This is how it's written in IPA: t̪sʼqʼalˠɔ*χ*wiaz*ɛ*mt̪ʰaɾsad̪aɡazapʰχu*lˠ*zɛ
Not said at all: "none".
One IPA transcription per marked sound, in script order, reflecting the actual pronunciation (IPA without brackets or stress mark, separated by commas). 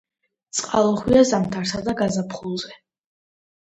χ, a, lˠ